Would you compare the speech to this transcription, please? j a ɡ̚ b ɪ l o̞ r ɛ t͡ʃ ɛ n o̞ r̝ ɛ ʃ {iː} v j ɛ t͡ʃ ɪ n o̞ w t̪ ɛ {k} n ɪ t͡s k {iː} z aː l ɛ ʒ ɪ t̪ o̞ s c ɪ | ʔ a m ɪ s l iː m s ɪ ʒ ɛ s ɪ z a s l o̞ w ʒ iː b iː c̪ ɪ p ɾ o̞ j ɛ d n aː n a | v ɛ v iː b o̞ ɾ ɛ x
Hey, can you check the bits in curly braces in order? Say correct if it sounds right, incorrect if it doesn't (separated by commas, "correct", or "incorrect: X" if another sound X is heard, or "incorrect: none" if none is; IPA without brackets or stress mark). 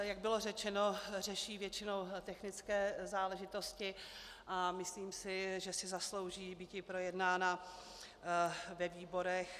correct, incorrect: x, incorrect: ɛː